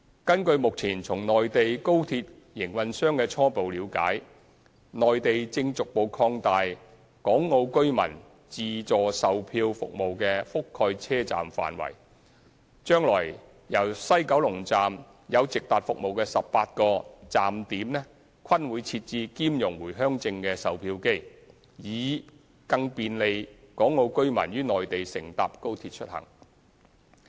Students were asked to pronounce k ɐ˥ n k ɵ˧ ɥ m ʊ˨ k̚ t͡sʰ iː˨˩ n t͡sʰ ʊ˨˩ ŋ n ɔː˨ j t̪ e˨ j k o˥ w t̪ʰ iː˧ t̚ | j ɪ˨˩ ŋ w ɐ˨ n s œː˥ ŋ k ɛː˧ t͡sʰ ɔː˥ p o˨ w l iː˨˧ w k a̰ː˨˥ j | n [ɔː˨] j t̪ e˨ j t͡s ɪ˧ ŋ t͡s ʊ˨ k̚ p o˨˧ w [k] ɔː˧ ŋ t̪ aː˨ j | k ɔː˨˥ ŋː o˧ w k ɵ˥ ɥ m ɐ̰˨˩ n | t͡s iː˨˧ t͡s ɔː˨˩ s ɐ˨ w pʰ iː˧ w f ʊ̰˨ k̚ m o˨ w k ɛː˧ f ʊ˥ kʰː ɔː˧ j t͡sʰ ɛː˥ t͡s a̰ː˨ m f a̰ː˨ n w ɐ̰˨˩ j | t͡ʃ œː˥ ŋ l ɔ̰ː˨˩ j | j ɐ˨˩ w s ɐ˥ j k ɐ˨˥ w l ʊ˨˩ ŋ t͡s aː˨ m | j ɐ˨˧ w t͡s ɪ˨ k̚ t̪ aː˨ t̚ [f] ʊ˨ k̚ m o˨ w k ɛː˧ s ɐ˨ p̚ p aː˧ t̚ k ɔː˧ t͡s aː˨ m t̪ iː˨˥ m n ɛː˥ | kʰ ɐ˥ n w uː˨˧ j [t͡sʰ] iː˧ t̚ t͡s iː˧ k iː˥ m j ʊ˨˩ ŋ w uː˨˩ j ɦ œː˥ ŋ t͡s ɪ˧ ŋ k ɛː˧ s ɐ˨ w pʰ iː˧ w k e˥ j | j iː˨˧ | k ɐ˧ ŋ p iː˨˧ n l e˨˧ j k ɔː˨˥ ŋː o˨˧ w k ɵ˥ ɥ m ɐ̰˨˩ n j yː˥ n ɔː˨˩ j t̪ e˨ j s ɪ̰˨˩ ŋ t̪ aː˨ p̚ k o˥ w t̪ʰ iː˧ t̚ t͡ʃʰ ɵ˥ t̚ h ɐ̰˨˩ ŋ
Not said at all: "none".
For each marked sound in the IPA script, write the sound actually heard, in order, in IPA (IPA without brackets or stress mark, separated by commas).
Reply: ɔː˨, kʰ, f, t͡sʰ